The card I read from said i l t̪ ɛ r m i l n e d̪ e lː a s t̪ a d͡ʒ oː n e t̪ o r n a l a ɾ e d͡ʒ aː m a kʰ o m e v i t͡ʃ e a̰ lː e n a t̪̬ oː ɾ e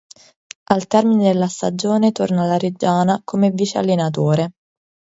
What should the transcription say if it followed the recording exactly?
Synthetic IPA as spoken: a l t̪ ɛ r m i n e d̪ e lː a s t̪ a d͡ʒ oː n e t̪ o r n a l a ɾ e d͡ʒ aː n a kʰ o m e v i t͡ʃ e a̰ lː e n a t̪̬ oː ɾ e